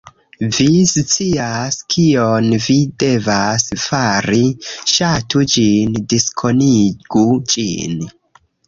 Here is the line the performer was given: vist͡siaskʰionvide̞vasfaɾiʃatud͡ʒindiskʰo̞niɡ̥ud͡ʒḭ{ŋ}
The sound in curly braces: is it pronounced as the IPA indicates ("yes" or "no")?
no